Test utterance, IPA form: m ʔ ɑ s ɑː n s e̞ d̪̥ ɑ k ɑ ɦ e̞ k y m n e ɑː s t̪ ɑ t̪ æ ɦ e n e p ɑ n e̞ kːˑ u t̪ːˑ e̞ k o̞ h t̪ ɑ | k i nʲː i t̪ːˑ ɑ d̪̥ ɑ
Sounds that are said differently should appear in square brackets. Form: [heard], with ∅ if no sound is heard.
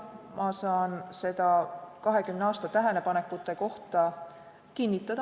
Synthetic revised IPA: m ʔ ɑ s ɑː n s e̞ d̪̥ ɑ k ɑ ɦ e̞ k y m n e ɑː s t̪ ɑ t̪ æ ɦ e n e p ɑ n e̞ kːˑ u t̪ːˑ e̞ k o̞ h t̪ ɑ | k i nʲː i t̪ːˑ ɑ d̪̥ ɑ